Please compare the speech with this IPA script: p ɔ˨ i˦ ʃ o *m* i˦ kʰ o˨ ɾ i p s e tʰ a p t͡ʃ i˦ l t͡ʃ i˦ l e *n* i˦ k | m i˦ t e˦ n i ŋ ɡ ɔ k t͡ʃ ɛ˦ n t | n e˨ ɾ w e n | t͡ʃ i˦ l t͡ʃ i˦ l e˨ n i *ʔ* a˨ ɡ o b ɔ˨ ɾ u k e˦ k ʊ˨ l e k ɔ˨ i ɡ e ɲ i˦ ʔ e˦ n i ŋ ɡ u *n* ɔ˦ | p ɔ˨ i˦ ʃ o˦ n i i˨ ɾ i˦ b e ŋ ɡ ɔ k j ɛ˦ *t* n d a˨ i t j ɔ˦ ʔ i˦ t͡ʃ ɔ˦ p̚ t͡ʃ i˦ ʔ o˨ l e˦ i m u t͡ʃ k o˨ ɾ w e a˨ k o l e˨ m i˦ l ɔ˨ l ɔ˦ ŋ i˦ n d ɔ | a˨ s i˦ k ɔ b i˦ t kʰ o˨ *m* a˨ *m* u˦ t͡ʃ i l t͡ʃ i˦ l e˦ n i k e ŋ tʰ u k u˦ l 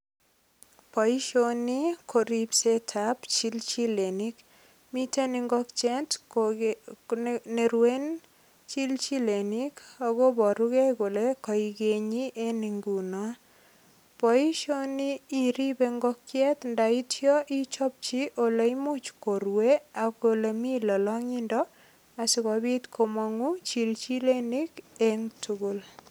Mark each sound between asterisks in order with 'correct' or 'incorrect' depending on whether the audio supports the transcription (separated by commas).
incorrect, correct, incorrect, correct, correct, correct, incorrect